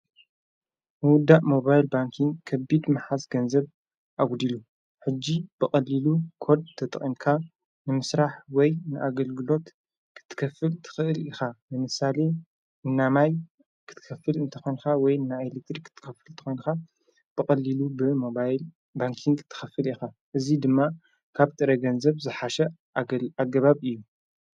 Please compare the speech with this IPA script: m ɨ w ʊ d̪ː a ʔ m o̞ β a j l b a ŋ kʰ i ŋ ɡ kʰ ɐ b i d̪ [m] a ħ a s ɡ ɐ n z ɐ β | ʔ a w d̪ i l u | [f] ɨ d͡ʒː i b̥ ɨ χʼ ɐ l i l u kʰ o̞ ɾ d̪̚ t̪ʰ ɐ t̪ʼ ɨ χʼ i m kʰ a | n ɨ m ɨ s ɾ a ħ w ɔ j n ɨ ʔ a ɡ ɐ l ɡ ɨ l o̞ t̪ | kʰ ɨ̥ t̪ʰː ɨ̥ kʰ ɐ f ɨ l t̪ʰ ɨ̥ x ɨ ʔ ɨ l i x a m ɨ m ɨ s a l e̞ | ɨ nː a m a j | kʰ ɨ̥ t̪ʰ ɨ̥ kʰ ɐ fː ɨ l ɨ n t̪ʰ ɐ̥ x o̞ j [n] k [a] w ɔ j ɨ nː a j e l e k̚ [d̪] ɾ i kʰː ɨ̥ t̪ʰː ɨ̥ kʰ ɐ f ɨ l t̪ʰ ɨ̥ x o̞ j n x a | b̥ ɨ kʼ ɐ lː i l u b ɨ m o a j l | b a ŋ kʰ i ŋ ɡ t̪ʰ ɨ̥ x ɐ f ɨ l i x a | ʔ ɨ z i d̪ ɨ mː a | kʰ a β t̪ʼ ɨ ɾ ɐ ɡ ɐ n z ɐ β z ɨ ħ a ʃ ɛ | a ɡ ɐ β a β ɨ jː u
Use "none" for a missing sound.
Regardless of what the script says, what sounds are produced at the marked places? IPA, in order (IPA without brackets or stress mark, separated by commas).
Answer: m, ħ, n, a, t̪